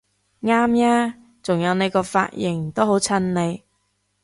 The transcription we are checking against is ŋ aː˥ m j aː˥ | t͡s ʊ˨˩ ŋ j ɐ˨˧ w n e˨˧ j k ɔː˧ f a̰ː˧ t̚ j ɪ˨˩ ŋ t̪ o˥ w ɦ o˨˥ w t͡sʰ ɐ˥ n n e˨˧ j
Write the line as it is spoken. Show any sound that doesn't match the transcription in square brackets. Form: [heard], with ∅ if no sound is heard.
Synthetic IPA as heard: ŋ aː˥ m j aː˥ | t͡s ʊ˨˩ ŋ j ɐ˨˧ w n e˨˧ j k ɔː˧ f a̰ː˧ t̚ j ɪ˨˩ ŋ t̪ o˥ w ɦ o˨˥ w t͡sʰ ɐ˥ n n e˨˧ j